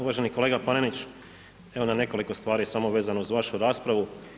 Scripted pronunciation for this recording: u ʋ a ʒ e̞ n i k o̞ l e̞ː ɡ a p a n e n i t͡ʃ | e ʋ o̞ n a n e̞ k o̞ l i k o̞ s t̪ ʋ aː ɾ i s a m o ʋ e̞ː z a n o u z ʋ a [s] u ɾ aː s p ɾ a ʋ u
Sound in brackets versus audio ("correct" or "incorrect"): incorrect